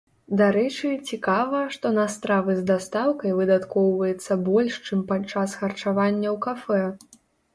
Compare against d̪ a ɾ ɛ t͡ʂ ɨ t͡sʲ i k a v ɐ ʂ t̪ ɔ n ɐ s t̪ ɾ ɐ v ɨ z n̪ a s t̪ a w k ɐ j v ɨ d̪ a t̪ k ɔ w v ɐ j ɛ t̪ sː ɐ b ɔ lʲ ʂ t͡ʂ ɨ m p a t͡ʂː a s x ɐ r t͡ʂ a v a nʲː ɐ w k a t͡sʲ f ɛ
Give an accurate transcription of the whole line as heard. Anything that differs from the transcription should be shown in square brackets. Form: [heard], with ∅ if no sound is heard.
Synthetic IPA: d̪ a ɾ ɛ t͡ʂ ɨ t͡sʲ i k a v ɐ ʂ t̪ ɔ n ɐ s t̪ ɾ [a] v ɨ z [d̪] a s t̪ a w k ɐ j v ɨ d̪ a t̪ k ɔ w v ɐ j ɛ t̪ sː ɐ b ɔ lʲ ʂ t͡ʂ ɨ m p a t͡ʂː a s x ɐ r t͡ʂ a v a nʲː ɐ w k a [∅] f ɛ